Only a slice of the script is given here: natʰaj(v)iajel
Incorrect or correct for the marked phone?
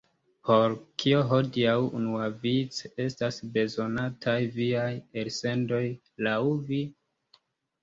correct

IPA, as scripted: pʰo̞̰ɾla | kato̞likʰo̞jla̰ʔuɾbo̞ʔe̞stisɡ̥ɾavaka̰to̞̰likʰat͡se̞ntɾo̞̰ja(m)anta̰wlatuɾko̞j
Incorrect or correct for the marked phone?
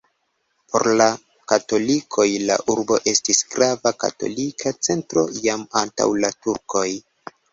correct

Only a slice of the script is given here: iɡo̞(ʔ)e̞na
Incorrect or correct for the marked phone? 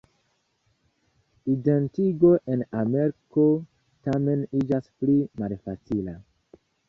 correct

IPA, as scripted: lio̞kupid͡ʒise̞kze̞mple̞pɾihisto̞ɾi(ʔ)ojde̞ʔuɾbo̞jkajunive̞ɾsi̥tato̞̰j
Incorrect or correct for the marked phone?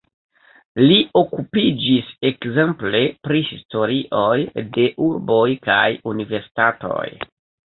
correct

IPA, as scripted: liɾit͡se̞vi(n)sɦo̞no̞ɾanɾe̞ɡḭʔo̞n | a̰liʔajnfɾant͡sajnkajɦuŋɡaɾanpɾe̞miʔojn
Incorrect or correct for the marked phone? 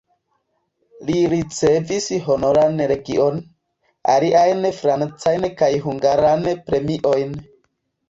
incorrect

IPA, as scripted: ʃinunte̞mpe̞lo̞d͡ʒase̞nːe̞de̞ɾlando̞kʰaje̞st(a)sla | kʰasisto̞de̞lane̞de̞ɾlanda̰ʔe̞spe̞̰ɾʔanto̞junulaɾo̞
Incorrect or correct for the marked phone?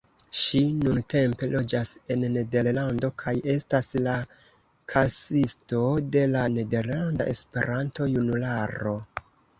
correct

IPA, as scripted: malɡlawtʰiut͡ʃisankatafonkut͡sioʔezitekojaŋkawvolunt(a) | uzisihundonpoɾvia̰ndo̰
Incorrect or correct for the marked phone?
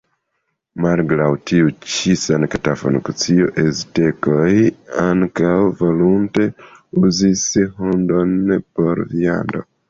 incorrect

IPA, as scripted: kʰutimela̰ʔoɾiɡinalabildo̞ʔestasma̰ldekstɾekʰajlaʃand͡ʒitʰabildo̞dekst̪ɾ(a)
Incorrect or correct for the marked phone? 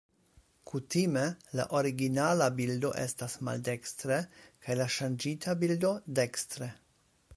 incorrect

